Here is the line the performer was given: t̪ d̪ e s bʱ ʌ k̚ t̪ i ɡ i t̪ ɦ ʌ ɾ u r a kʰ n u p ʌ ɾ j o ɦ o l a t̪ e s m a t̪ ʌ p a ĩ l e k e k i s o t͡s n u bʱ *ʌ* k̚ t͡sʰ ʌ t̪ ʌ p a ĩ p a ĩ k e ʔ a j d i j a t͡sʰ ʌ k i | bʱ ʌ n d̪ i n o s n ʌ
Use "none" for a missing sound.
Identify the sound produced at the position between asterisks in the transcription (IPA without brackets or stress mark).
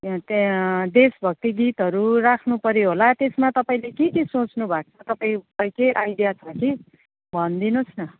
a